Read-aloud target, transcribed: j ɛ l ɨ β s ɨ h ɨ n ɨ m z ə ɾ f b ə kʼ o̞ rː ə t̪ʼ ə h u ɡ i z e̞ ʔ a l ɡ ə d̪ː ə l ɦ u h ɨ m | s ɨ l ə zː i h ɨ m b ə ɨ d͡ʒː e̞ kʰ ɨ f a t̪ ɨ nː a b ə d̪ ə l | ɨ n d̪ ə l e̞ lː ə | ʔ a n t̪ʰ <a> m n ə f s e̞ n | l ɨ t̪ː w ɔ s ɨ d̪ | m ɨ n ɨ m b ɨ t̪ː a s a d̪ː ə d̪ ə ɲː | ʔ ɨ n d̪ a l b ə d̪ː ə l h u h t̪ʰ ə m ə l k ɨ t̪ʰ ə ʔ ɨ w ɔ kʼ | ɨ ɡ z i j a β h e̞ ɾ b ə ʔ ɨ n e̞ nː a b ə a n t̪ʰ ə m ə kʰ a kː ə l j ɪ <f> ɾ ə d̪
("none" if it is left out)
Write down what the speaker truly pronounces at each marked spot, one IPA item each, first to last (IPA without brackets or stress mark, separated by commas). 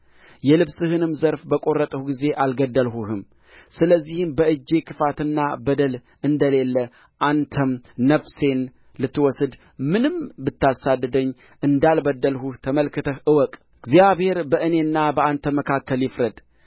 ə, f